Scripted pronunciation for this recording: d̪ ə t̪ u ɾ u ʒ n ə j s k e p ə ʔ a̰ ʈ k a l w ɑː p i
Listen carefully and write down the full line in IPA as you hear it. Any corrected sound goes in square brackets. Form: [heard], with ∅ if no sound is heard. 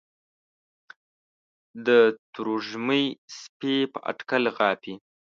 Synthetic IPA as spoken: d̪ ə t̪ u ɾ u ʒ [m] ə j s [p] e p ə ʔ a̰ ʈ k a l [ɣ] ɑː p i